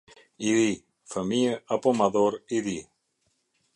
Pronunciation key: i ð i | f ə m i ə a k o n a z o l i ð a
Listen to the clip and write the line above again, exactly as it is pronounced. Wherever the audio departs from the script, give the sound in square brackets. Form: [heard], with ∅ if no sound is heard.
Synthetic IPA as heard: i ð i | f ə m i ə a [p] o [m] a [ð] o [ɾ] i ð [i]